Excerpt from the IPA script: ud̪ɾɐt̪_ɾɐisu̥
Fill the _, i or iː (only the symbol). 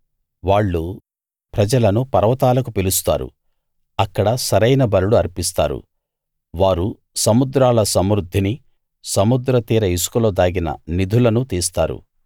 iː